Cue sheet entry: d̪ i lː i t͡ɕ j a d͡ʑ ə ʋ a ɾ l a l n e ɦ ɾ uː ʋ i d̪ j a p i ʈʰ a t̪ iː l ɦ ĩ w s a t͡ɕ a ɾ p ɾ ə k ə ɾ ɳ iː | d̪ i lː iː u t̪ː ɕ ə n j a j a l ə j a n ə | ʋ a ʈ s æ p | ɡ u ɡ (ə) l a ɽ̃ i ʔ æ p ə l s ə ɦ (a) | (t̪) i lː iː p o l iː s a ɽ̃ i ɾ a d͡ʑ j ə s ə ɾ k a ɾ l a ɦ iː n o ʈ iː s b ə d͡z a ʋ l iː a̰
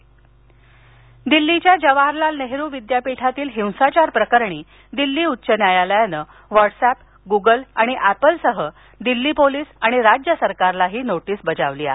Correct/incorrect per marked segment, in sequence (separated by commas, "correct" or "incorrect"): correct, incorrect, incorrect